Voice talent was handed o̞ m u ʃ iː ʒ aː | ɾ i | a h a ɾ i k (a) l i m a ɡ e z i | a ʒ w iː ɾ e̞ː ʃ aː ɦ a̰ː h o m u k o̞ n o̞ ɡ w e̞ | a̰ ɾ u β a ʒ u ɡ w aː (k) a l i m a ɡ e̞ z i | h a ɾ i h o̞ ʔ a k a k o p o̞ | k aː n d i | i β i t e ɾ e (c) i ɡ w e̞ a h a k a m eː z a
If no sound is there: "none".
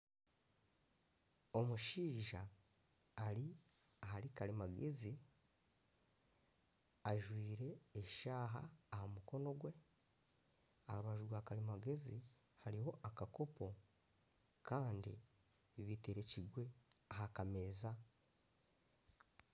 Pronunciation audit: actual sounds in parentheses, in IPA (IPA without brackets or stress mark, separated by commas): a, k, c